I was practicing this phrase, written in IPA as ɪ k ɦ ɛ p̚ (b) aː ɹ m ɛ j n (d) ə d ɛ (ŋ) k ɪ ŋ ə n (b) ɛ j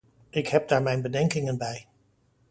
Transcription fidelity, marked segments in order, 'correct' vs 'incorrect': incorrect: d, incorrect: b, correct, correct

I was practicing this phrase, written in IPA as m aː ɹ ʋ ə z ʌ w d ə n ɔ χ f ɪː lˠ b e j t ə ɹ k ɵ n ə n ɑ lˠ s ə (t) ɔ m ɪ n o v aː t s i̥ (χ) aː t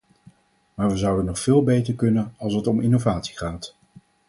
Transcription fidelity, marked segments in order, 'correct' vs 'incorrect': correct, correct

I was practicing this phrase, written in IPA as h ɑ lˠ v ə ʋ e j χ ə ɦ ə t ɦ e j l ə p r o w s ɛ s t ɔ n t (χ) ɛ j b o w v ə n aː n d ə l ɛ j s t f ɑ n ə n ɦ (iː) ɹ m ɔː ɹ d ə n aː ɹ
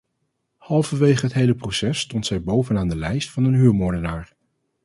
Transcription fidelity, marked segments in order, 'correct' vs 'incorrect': incorrect: s, incorrect: yː

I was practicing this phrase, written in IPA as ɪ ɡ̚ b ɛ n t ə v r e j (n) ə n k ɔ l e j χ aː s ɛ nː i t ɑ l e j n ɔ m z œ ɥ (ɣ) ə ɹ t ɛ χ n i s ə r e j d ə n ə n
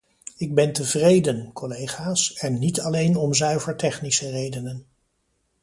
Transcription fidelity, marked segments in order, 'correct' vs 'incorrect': incorrect: d, incorrect: v

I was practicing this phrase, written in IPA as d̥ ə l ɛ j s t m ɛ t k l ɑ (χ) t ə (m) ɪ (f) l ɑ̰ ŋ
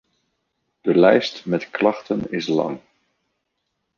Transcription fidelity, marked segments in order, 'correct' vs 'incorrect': correct, incorrect: n, incorrect: s

